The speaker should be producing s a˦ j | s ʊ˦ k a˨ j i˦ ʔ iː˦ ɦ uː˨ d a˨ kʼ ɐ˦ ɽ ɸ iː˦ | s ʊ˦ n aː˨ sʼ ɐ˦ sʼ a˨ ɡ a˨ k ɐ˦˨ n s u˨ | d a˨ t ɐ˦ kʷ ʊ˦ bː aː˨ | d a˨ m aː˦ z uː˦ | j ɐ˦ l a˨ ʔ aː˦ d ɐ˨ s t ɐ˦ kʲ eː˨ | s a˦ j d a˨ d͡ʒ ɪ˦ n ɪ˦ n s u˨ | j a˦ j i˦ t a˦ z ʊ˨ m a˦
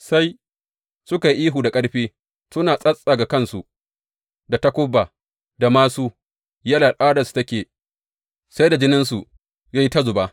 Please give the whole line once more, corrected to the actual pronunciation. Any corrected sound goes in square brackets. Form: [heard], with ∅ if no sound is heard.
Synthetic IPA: s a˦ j | s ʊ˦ k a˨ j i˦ ʔ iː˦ ɦ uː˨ d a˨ kʼ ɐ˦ ɽ ɸ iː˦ | s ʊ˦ n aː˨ sʼ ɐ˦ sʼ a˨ ɡ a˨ k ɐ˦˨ n s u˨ | d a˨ t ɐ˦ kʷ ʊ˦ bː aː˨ | d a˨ m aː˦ [s] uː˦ | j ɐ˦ l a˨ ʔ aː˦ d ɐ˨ s t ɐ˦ kʲ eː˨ | s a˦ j d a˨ d͡ʒ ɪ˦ n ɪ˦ n s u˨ | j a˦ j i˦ t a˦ z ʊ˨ [b] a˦